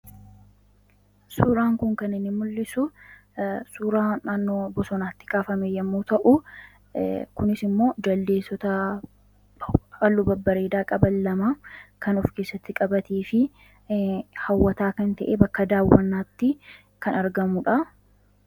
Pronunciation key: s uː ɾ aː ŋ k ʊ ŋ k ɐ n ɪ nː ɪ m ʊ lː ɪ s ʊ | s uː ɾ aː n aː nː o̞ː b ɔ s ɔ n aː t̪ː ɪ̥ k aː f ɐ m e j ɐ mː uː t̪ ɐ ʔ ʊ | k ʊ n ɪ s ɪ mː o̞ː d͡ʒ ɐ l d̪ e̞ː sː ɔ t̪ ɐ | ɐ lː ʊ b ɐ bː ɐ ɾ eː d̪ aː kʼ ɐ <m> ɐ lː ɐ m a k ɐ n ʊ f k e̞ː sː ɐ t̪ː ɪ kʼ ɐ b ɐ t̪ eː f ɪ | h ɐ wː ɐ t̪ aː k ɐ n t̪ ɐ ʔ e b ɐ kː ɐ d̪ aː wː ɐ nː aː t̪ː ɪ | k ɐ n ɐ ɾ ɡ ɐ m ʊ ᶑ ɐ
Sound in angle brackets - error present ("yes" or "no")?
yes